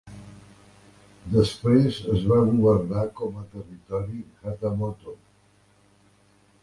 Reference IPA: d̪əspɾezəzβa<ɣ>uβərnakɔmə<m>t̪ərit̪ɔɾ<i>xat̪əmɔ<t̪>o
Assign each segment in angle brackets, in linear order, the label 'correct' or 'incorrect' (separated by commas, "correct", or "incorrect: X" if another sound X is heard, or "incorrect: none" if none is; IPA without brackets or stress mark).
correct, incorrect: none, correct, correct